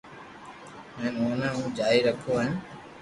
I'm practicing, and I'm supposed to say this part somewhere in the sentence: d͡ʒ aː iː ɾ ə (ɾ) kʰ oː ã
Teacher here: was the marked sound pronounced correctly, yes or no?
no